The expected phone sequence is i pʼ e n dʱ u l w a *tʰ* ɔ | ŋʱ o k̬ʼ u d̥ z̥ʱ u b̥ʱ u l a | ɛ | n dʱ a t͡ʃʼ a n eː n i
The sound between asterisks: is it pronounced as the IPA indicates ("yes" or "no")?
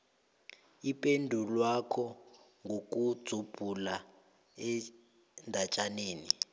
no